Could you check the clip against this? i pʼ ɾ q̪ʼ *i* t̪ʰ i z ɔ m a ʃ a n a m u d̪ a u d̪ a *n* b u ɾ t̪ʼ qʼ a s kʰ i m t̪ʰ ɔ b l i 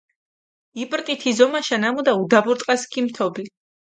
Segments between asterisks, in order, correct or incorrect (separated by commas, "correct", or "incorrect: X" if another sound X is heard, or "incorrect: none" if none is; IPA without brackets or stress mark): correct, incorrect: none